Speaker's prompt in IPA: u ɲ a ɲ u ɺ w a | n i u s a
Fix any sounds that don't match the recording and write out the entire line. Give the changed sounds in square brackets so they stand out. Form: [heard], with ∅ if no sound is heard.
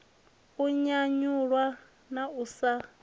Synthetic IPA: u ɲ a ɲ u ɺ w a | n [a] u s a